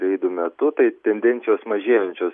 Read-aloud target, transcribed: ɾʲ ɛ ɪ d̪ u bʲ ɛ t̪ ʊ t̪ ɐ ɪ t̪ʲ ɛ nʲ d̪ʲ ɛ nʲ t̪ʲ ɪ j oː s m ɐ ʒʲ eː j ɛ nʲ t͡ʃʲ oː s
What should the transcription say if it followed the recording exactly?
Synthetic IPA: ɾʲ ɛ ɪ d̪ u mʲ ɛ t̪ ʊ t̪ ɐ ɪ t̪ʲ ɛ nʲ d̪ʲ ɛ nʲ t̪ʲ ɪ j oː s m ɐ ʒʲ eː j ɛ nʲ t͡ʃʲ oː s